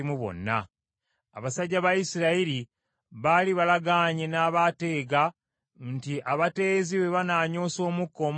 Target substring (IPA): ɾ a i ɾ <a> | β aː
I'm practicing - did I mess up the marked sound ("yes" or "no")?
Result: yes